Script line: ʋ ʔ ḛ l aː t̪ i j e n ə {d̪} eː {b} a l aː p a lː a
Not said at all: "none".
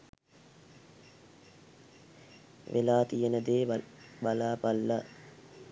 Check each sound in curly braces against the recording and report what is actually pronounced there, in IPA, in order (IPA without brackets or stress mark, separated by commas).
d̪, b